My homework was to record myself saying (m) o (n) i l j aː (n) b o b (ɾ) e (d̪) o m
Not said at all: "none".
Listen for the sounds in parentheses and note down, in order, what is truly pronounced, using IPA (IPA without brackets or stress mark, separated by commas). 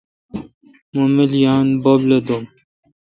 m, m, n, l, d̪